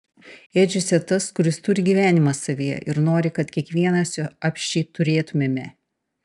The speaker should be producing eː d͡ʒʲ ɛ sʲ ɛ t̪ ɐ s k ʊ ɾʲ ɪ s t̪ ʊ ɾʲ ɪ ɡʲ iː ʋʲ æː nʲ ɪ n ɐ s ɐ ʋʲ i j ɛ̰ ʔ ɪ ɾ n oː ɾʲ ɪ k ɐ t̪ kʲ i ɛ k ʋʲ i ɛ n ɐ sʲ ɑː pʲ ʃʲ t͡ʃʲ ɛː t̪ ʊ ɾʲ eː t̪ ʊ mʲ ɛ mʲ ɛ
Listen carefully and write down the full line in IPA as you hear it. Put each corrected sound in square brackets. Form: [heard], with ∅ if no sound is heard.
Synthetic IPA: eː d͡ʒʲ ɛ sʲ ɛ t̪ ɐ s k ʊ ɾʲ ɪ s t̪ ʊ ɾʲ ɪ ɡʲ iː ʋʲ æː nʲ ɪ [m] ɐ s ɐ ʋʲ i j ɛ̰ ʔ ɪ ɾ n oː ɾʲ ɪ k ɐ t̪ kʲ i ɛ k ʋʲ i ɛ n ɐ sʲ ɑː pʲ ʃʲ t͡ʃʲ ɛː t̪ ʊ ɾʲ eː t̪ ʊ mʲ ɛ mʲ ɛ

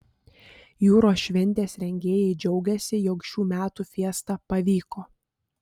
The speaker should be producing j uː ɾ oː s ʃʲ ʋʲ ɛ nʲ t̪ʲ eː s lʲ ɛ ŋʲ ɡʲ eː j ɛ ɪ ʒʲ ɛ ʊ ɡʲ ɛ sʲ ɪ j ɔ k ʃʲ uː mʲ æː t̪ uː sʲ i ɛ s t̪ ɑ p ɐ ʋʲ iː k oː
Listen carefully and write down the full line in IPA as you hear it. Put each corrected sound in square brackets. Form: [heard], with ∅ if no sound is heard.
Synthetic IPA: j uː ɾ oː s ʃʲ ʋʲ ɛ nʲ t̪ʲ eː s [ɾʲ] ɛ ŋʲ ɡʲ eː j ɛ ɪ [d͡ʒʲ] ɛ ʊ ɡʲ ɛ sʲ ɪ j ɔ k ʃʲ uː mʲ æː t̪ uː [fʲ] i ɛ s t̪ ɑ p ɐ ʋʲ iː k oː

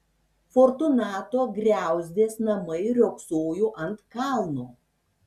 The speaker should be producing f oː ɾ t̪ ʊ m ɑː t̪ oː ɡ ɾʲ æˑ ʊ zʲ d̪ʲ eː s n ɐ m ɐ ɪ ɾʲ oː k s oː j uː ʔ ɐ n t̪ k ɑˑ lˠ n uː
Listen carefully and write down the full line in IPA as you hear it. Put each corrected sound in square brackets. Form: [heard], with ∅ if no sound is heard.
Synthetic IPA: f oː ɾ t̪ ʊ [n] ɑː t̪ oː ɡ ɾʲ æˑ ʊ zʲ d̪ʲ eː s n ɐ m ɐ ɪ ɾʲ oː k s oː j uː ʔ ɐ n t̪ k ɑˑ lˠ n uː

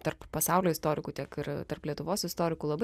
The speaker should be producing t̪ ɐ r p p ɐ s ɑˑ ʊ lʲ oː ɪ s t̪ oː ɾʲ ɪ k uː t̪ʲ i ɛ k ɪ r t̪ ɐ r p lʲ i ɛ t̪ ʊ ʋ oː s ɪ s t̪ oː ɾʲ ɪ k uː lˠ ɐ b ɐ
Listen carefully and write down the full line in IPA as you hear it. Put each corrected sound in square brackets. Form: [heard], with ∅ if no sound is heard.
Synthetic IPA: t̪ ɐ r p p ɐ s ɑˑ ʊ lʲ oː ɪ s t̪ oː ɾʲ ɪ k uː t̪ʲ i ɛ k ɪ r t̪ ɐ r p lʲ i ɛ t̪ ʊ ʋ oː s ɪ s t̪ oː ɾʲ ɪ k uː lˠ ɐ b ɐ

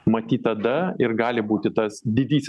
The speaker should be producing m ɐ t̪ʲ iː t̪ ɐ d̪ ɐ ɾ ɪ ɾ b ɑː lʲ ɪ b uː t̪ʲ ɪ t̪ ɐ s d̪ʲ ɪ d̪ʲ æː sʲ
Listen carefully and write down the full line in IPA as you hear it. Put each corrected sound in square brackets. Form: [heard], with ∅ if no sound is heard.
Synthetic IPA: m ɐ t̪ʲ iː t̪ ɐ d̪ ɐ [∅] ɪ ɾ [ɡ] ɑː lʲ ɪ b uː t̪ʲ ɪ t̪ ɐ s d̪ʲ ɪ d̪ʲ [iː] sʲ

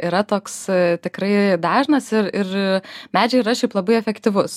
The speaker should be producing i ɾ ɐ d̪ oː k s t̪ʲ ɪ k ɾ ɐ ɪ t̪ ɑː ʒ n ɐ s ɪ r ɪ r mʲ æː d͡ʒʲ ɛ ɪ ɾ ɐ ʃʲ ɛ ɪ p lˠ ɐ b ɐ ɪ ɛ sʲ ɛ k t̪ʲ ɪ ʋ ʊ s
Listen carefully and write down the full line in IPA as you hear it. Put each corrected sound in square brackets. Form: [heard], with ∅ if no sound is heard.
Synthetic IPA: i ɾ ɐ [t̪] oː k s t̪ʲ ɪ k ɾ ɐ ɪ [d̪] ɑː ʒ n ɐ s ɪ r ɪ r mʲ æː d͡ʒʲ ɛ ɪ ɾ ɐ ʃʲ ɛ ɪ p lˠ ɐ b ɐ ɪ ɛ [fʲ] ɛ k t̪ʲ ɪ ʋ ʊ s

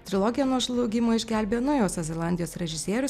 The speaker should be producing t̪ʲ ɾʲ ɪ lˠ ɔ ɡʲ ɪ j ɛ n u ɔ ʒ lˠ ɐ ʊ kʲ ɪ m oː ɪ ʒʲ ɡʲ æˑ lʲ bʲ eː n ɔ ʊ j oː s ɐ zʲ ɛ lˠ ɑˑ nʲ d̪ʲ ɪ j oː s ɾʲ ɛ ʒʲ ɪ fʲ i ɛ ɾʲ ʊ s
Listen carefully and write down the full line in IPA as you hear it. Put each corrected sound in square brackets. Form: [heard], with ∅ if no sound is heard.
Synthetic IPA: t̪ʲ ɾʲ ɪ lˠ ɔ ɡʲ ɪ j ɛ n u ɔ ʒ lˠ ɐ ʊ [ɡʲ] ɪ m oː ɪ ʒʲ ɡʲ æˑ lʲ bʲ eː n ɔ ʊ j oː s ɐ zʲ ɛ lˠ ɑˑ nʲ d̪ʲ ɪ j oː s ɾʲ ɛ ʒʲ ɪ [sʲ] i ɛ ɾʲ ʊ s

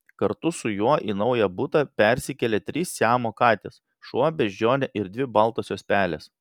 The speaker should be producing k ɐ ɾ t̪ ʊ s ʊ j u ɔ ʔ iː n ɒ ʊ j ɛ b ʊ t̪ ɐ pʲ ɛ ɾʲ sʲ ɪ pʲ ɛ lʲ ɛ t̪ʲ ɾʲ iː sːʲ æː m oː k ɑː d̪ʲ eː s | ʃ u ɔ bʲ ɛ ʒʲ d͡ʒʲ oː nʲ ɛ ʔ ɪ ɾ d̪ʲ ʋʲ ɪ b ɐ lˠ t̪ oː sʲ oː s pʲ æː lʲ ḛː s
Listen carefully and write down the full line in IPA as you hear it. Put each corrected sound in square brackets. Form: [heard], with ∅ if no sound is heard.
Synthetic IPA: k ɐ ɾ t̪ ʊ s ʊ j u ɔ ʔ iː n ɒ ʊ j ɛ b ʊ t̪ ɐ pʲ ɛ ɾʲ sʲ ɪ [kʲ] ɛ lʲ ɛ t̪ʲ ɾʲ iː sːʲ æː m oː k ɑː [t̪ʲ] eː s | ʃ u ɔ bʲ ɛ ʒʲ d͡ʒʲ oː nʲ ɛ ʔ ɪ ɾ d̪ʲ ʋʲ ɪ b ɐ lˠ t̪ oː sʲ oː s pʲ æː lʲ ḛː s

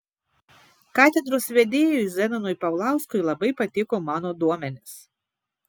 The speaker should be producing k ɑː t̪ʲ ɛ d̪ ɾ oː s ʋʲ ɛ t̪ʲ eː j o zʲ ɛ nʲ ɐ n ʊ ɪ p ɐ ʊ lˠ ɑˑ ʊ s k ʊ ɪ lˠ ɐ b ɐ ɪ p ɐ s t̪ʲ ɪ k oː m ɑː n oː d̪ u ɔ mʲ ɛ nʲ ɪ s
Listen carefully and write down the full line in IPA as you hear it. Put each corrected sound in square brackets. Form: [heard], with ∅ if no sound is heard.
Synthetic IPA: k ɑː t̪ʲ ɛ d̪ ɾ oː s ʋʲ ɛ [d̪ʲ] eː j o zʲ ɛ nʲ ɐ n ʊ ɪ p ɐ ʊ lˠ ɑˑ ʊ s k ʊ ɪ lˠ ɐ b ɐ ɪ p ɐ [∅] t̪ʲ ɪ k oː m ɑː n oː d̪ u ɔ mʲ ɛ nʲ ɪ s

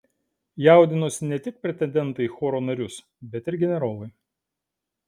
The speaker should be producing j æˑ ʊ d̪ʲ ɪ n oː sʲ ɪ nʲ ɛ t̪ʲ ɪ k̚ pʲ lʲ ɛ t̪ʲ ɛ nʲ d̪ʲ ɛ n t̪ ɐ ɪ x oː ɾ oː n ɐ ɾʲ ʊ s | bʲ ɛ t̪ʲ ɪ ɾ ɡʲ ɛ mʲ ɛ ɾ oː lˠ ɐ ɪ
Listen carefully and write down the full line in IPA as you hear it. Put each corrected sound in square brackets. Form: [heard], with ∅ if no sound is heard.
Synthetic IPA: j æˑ ʊ d̪ʲ ɪ n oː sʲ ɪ nʲ ɛ t̪ʲ ɪ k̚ pʲ [ɾʲ] ɛ t̪ʲ ɛ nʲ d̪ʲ ɛ n t̪ ɐ ɪ x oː ɾ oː n ɐ ɾʲ ʊ s | bʲ ɛ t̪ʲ ɪ ɾ ɡʲ ɛ [nʲ] ɛ ɾ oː lˠ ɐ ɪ

